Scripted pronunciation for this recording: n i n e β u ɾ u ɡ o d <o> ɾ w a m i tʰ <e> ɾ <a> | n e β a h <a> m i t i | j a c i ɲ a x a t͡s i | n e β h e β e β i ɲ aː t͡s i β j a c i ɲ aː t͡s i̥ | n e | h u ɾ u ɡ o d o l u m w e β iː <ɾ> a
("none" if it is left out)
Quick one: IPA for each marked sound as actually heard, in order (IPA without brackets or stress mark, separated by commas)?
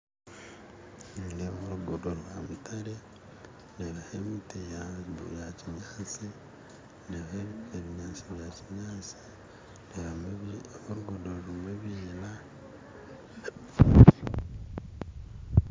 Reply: o, a, e, e, l